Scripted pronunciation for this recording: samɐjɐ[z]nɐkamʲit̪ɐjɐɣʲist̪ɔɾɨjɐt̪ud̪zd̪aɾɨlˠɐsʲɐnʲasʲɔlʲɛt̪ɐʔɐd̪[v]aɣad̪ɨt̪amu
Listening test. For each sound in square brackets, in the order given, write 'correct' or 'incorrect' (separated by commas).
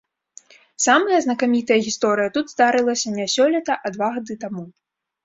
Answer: correct, correct